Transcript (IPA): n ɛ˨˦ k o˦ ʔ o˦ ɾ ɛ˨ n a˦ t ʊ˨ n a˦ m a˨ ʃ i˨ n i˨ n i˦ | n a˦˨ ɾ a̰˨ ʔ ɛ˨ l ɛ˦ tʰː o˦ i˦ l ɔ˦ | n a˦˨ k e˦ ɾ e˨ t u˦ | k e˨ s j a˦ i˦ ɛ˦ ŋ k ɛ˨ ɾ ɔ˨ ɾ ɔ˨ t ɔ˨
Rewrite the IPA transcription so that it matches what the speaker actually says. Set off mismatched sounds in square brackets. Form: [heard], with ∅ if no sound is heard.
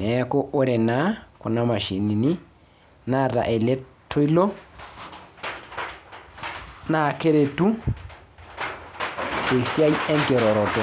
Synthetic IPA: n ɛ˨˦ k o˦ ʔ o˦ ɾ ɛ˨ n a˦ [k] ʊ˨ n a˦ m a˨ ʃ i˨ n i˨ n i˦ | n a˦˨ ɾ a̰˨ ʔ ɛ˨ l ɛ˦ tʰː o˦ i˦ l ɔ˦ | n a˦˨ k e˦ ɾ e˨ t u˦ | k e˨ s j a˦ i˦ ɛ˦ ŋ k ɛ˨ ɾ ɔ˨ ɾ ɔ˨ t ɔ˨

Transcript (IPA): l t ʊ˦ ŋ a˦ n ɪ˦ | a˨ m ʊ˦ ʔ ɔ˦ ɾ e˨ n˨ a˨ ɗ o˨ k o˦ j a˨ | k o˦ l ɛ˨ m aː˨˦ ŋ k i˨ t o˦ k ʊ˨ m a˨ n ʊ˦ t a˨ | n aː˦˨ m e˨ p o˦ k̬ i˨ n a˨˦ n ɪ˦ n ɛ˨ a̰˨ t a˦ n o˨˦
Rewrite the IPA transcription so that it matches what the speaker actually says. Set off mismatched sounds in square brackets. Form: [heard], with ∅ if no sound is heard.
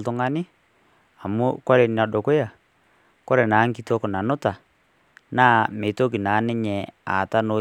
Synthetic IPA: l t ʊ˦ ŋ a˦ n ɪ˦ | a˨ m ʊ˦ [k] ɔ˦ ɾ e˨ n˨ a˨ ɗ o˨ k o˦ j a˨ | k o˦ [ɾ] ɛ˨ [n] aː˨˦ ŋ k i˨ t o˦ k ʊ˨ [n] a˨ n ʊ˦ t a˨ | n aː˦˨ m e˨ [t] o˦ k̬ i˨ n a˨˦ n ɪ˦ [ɲ] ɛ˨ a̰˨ t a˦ n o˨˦

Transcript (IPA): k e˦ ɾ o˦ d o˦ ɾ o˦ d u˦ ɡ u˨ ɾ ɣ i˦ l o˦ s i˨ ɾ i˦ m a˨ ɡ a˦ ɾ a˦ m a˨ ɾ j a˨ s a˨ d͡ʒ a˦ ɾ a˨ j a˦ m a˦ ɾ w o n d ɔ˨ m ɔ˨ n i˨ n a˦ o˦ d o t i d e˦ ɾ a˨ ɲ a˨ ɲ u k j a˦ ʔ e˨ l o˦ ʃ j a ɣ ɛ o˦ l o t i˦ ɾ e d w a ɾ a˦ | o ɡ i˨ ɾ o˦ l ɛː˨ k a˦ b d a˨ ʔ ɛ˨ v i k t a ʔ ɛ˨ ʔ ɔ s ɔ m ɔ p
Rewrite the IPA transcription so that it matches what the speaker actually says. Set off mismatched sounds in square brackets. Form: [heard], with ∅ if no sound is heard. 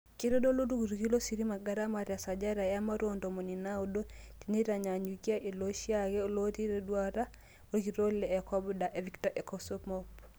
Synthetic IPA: k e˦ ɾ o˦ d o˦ [l] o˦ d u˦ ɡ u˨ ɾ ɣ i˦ l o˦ s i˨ ɾ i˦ m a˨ ɡ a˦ ɾ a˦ m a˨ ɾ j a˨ s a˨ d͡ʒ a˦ ɾ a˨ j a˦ m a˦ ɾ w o n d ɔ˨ m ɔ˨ n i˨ n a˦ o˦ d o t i [n] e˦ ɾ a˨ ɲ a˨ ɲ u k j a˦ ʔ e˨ l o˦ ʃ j a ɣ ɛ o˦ l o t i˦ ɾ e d w a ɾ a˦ | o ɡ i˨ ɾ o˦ l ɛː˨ k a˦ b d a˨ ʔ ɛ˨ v i k t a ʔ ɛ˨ [k] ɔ s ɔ m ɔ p

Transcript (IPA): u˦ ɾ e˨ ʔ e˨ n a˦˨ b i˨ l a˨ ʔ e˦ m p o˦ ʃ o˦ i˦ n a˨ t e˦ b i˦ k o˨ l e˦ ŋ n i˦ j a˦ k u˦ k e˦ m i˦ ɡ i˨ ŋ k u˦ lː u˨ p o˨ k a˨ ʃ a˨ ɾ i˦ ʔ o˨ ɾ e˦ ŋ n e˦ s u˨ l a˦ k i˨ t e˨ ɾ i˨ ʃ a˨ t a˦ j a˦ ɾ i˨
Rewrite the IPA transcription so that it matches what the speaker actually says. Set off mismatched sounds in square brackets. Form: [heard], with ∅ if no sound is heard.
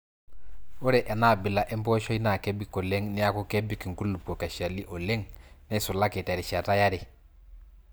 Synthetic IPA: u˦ ɾ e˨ ʔ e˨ n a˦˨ b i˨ l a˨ ʔ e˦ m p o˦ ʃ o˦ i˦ n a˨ [k] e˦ b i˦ k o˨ l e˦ ŋ n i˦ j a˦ k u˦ k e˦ [b] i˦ [k] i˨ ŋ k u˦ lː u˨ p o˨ k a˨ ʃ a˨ [l] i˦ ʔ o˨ [l] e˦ ŋ n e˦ s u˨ l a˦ k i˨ t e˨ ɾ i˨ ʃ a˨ t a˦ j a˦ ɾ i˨

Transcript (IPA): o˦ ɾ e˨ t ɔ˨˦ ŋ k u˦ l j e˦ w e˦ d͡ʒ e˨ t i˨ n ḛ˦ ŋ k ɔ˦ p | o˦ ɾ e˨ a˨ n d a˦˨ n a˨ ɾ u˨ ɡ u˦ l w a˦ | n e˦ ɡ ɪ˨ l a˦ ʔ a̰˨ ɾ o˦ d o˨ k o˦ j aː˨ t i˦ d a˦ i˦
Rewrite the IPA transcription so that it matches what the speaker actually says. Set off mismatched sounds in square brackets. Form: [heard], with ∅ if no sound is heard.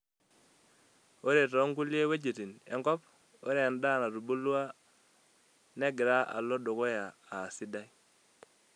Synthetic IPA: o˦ ɾ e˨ t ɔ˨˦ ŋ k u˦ l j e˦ w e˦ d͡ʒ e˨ t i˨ n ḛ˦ ŋ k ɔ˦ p | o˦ ɾ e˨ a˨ n d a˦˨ n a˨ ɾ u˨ [b] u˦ l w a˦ | n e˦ ɡ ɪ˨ [ɾ] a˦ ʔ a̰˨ [l] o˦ d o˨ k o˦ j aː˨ [s] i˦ d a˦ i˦

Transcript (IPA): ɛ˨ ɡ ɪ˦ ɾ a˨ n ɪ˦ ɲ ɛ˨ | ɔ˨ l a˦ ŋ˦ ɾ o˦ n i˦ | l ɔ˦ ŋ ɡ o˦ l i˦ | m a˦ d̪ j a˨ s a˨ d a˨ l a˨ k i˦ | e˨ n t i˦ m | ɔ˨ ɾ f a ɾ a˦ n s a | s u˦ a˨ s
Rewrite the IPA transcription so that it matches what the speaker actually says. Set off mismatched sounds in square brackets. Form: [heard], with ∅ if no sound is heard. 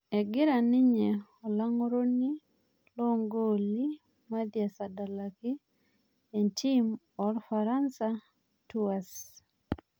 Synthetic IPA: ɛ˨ ɡ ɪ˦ ɾ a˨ n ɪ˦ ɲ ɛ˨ | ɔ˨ l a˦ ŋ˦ ɾ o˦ n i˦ | l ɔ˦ ŋ ɡ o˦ l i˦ | m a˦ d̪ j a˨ s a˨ d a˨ l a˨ k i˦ | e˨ n t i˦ m | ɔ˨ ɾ f a ɾ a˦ n s a | [t] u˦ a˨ s

